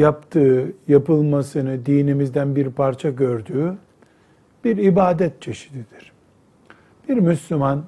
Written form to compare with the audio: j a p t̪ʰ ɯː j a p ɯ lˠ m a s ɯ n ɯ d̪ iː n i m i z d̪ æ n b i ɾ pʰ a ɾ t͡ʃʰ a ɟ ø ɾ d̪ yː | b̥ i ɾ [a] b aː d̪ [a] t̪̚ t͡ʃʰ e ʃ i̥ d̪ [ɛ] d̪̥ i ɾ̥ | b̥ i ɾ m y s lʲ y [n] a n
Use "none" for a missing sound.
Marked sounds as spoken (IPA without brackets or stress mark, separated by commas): i, ɛ, i, m